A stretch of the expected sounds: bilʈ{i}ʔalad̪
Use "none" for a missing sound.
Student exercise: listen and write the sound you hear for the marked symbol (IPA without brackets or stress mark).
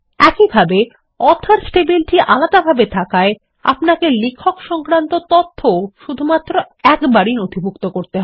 i